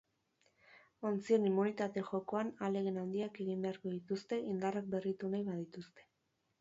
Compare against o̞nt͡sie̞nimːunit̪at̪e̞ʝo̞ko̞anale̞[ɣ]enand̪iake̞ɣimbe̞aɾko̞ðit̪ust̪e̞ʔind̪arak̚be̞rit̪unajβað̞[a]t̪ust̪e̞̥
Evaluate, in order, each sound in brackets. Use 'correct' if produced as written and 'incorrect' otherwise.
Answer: correct, incorrect

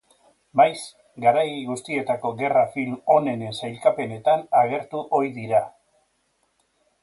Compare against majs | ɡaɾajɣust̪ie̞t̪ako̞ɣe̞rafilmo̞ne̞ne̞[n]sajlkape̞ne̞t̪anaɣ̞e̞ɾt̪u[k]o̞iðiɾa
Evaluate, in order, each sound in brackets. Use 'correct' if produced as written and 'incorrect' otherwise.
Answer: correct, incorrect

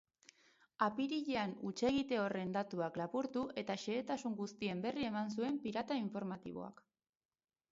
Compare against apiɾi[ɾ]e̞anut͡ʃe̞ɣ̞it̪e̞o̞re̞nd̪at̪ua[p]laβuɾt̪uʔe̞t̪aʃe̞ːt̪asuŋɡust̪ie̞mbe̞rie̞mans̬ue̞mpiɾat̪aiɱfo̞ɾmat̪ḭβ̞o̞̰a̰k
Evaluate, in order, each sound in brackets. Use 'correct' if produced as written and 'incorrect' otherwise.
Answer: incorrect, incorrect

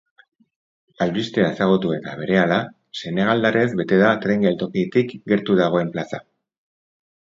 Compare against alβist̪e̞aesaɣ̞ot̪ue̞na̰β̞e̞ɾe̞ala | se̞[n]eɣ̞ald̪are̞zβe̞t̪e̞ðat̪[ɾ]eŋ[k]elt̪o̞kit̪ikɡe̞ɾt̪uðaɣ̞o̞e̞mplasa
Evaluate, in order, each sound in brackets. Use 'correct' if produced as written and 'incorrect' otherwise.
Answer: correct, correct, incorrect

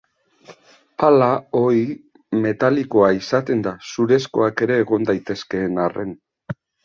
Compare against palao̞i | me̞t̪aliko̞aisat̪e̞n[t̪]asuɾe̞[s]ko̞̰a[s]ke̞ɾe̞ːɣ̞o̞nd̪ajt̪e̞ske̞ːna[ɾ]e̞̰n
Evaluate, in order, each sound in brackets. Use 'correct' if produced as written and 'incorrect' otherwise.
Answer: incorrect, correct, incorrect, incorrect

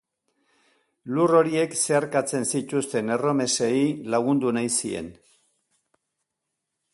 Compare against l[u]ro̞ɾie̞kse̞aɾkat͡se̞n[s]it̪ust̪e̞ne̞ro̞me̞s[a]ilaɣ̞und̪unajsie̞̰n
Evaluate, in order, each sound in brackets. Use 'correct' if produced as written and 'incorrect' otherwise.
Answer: correct, correct, incorrect

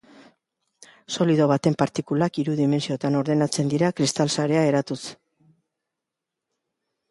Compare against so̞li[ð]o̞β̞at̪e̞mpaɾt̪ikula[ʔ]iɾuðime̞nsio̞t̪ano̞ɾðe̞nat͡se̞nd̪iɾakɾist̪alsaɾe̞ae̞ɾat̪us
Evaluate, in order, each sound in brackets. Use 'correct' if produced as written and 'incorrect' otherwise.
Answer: correct, incorrect

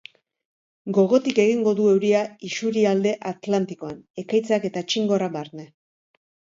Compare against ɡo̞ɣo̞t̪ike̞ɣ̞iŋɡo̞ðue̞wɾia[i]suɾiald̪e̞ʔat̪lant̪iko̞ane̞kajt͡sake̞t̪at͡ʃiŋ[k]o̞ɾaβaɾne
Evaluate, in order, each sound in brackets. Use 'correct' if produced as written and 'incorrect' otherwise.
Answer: correct, incorrect

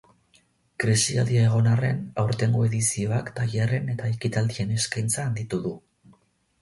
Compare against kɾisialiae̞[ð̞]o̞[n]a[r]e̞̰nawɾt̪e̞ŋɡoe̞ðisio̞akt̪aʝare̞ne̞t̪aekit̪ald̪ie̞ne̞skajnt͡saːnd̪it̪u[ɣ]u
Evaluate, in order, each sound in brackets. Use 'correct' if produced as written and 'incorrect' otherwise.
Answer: incorrect, correct, correct, incorrect

